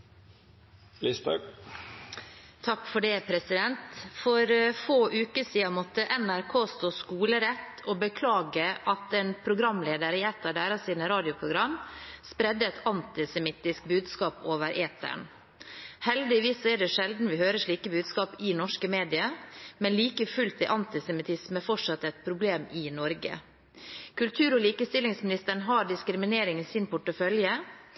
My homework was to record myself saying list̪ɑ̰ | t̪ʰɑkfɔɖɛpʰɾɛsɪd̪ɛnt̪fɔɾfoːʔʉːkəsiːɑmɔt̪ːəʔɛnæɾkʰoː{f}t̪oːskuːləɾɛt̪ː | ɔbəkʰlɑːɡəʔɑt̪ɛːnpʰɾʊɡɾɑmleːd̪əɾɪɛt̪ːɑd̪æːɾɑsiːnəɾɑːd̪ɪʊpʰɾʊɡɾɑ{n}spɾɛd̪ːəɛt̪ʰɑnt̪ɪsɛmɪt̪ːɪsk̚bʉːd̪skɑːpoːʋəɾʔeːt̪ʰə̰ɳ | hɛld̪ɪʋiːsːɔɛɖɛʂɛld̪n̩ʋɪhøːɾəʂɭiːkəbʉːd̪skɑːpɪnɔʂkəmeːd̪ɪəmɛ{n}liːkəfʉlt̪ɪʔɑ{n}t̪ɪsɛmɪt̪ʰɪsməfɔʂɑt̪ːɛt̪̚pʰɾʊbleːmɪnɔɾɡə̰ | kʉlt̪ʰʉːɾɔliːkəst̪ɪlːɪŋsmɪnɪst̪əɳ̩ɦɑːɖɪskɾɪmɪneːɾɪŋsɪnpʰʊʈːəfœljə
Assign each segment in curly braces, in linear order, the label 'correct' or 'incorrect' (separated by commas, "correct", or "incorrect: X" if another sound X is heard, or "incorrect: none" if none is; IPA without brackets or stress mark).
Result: incorrect: s, incorrect: m, correct, correct